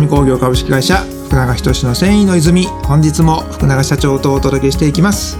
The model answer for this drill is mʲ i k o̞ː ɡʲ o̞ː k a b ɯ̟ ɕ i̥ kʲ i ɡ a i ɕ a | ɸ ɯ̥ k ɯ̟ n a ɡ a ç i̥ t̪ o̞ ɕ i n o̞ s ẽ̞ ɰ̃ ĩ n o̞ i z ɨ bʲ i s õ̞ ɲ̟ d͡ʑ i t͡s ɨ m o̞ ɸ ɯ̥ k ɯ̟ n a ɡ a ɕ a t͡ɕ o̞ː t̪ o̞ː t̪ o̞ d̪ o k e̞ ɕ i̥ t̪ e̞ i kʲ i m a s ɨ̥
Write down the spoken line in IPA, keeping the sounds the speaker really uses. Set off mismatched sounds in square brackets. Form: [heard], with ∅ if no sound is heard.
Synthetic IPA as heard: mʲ i k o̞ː ɡʲ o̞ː k a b ɯ̟ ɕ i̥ kʲ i ɡ a i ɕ a | ɸ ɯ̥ k ɯ̟ n a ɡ a ç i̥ t̪ o̞ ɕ i n o̞ s ẽ̞ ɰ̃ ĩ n o̞ i z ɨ [mʲ] i [h] õ̞ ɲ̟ d͡ʑ i t͡s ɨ m o̞ ɸ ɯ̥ k ɯ̟ n a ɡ a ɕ a t͡ɕ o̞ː t̪ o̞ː t̪ o̞ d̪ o k e̞ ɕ i̥ t̪ e̞ i kʲ i m a s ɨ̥